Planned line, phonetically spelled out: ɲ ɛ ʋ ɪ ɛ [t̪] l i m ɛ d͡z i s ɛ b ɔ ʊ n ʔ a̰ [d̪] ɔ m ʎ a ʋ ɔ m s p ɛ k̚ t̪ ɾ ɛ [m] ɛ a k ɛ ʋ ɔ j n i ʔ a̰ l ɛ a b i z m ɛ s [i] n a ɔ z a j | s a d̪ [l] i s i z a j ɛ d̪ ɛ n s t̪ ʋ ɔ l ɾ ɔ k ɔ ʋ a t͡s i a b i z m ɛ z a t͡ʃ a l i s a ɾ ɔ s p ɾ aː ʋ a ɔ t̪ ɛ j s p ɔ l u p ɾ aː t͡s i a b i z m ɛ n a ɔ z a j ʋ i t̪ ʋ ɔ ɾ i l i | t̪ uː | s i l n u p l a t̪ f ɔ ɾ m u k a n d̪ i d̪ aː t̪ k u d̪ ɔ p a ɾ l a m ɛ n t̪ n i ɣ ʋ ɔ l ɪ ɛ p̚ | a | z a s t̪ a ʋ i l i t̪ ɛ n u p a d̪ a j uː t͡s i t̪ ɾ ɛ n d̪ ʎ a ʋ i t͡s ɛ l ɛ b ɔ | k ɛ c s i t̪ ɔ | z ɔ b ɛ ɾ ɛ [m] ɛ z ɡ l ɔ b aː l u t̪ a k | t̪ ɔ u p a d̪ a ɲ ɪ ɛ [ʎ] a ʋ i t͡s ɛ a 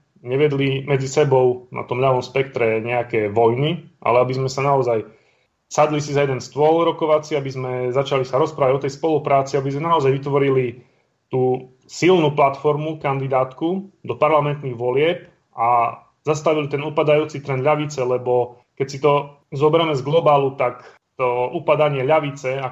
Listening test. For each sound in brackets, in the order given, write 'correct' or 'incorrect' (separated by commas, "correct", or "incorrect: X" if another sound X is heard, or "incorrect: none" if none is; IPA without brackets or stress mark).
incorrect: d̪, incorrect: t̪, incorrect: ɲ, incorrect: a, correct, correct, correct